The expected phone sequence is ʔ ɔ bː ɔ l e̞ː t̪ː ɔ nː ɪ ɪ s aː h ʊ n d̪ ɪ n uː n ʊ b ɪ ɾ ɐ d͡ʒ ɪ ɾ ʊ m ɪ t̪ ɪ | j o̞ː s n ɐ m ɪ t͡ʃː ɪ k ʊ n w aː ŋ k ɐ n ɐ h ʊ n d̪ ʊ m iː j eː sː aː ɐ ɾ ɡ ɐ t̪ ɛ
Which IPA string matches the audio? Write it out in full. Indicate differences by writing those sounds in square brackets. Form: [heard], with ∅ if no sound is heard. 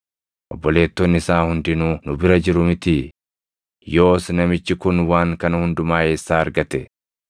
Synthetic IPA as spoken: ʔ ɔ bː ɔ l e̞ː t̪ː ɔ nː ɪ ɪ s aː h ʊ n d̪ ɪ n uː n ʊ b ɪ ɾ ɐ d͡ʒ ɪ ɾ ʊ m ɪ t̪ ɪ | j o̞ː s n ɐ m ɪ t͡ʃː ɪ k ʊ n w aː ŋ k ɐ n ɐ h ʊ n d̪ ʊ m [aː] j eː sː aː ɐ ɾ ɡ ɐ t̪ ɛ